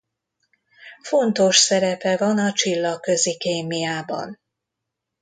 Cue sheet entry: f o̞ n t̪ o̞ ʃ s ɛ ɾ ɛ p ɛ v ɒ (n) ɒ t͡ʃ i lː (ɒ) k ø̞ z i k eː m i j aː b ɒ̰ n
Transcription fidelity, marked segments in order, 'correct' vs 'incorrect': correct, correct

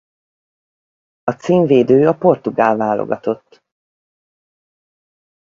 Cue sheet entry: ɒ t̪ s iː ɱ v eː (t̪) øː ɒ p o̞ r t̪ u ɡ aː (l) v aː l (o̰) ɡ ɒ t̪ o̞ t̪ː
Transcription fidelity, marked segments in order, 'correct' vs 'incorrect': incorrect, correct, correct

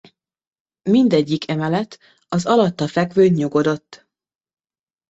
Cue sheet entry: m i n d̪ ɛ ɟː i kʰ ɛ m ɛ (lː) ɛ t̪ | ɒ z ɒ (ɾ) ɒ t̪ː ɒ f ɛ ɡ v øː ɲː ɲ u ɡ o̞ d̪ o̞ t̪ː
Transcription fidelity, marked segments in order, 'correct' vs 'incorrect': incorrect, incorrect

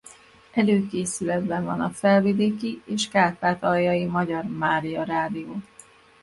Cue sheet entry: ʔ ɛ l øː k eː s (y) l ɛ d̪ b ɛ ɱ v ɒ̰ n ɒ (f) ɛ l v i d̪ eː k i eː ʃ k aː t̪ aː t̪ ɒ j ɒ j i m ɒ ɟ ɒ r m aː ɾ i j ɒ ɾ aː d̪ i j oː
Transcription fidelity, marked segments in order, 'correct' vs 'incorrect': correct, correct

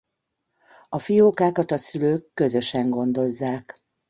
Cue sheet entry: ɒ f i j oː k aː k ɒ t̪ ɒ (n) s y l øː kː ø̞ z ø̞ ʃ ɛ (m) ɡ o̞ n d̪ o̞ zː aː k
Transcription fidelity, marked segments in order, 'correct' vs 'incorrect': incorrect, incorrect

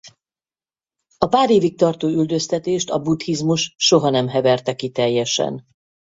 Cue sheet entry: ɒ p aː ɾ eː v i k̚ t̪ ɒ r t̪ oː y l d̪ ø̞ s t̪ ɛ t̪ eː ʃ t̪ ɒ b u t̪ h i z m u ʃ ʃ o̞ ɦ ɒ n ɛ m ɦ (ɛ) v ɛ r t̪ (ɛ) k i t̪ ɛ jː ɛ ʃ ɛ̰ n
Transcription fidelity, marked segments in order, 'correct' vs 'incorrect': correct, correct

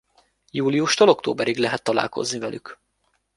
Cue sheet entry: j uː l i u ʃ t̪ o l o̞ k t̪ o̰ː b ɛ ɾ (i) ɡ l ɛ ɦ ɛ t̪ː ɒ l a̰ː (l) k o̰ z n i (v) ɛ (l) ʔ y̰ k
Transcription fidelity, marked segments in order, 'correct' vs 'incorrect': correct, correct, correct, correct

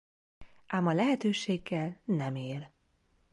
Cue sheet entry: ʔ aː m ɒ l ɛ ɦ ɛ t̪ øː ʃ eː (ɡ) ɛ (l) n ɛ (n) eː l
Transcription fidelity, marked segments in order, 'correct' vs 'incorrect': incorrect, correct, incorrect

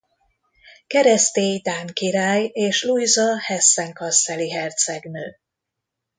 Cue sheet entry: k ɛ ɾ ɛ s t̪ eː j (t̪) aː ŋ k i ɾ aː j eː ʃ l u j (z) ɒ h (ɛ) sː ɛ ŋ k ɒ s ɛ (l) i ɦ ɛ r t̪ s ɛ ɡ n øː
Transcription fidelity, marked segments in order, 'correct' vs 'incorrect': incorrect, correct, correct, correct

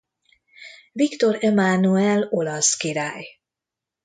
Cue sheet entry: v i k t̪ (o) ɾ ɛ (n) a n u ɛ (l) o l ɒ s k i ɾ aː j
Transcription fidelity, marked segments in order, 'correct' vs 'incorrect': correct, incorrect, correct

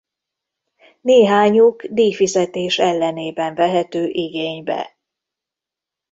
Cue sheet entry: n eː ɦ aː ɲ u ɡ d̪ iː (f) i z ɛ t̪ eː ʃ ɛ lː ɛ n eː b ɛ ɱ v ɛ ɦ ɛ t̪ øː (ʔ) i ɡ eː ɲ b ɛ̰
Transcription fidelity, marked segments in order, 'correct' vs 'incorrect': correct, correct

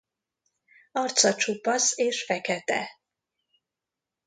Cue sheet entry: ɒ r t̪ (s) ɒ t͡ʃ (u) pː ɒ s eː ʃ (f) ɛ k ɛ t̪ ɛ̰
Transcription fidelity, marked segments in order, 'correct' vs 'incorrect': correct, correct, correct

